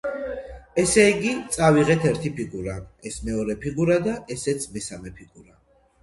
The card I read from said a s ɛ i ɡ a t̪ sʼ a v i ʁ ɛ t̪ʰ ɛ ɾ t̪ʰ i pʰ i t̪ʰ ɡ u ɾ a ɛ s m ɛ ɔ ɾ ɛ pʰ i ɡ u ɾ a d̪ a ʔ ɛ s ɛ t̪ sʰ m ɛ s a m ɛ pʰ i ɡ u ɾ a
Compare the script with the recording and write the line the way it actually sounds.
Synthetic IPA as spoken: ɛ s ɛ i ɡ i t̪ sʼ a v i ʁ ɛ t̪ʰ ɛ ɾ t̪ʰ i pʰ i ɡ u ɾ a ɛ s m ɛ ɔ ɾ ɛ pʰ i ɡ u ɾ a d̪ a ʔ ɛ s ɛ t̪ sʰ m ɛ s a m ɛ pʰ i ɡ u ɾ a